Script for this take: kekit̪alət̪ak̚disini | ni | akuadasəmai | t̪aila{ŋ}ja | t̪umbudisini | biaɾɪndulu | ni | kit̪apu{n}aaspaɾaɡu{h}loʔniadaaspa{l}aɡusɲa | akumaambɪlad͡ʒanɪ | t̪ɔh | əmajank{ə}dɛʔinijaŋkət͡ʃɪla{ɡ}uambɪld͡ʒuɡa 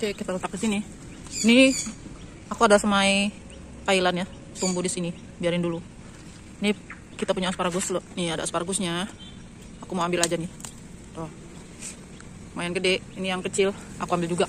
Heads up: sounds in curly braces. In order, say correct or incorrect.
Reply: incorrect: n, incorrect: ɲ, incorrect: s, incorrect: ɾ, correct, incorrect: k

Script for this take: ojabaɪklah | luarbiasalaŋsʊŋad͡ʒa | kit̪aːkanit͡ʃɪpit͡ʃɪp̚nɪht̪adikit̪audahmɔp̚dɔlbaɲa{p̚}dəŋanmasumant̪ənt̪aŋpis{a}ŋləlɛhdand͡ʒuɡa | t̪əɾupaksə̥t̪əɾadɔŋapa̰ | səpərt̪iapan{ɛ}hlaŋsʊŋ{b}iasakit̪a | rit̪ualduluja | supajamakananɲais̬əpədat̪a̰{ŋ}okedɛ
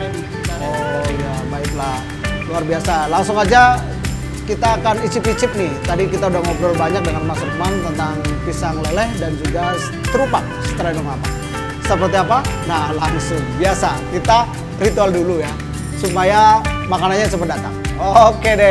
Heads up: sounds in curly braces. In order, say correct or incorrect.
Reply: incorrect: k̚, correct, incorrect: a, correct, correct

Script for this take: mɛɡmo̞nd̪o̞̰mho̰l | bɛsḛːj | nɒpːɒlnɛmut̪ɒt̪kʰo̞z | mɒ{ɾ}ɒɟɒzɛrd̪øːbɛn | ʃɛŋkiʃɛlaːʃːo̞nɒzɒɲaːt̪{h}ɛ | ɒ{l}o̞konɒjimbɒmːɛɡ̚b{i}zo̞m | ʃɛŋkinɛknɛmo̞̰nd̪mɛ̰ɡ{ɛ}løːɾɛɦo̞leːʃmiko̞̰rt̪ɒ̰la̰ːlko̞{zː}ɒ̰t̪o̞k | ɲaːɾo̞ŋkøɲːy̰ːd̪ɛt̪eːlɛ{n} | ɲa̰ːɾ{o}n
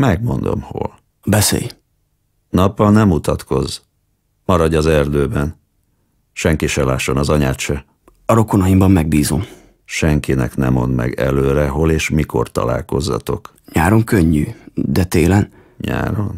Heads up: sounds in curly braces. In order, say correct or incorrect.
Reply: correct, incorrect: ʃ, incorrect: ɾ, incorrect: iː, correct, correct, correct, correct

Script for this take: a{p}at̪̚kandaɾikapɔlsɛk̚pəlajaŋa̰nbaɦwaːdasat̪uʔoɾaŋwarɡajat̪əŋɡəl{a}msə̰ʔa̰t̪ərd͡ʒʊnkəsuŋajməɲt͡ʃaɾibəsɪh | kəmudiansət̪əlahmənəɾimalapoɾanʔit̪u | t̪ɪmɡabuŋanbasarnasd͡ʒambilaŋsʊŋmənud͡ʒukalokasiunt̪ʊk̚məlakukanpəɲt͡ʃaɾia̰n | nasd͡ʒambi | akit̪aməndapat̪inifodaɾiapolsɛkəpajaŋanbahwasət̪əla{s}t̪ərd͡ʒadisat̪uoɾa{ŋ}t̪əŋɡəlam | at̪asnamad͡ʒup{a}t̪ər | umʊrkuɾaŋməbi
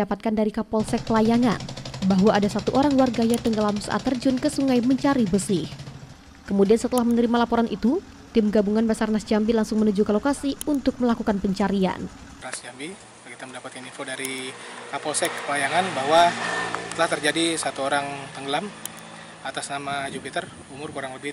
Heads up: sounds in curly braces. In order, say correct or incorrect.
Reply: correct, correct, incorrect: h, correct, incorrect: i

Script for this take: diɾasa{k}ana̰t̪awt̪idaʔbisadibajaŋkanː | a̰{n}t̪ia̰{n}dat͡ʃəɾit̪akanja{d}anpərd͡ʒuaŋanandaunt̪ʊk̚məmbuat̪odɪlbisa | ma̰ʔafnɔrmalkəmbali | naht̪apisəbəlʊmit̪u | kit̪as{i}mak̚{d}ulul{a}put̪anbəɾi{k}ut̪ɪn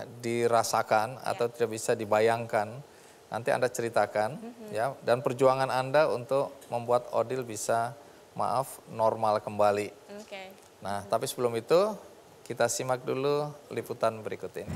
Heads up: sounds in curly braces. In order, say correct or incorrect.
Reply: correct, correct, correct, correct, correct, correct, incorrect: i, correct

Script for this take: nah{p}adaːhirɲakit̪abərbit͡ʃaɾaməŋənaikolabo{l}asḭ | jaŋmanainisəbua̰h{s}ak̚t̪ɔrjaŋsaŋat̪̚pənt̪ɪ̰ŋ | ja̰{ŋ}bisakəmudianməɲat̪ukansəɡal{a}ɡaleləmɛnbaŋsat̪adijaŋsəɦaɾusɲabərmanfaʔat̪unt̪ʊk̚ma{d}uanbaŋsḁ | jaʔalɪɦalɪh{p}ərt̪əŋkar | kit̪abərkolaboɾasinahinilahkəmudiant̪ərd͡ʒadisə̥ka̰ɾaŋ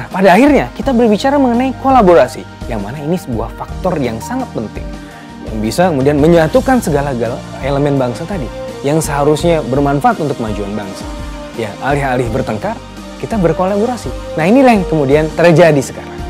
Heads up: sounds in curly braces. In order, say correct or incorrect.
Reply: correct, incorrect: ɾ, incorrect: f, correct, correct, incorrect: d͡ʒ, incorrect: b

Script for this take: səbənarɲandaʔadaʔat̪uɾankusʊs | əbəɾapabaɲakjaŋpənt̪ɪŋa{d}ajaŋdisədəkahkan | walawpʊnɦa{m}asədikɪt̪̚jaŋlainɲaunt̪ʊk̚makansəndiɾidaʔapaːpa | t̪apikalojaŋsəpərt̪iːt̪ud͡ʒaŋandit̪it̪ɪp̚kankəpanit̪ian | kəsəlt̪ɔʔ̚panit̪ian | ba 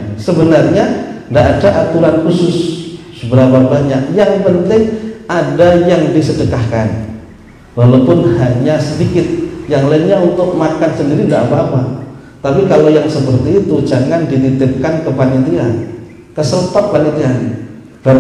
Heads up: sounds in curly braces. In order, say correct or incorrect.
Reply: correct, incorrect: ɲ

